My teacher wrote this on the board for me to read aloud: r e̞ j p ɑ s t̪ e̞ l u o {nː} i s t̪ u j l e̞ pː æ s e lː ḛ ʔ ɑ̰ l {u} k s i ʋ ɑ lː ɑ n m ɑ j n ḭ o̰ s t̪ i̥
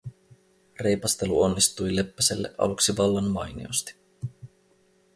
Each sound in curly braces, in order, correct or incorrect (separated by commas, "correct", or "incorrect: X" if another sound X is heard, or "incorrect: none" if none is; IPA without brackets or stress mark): correct, correct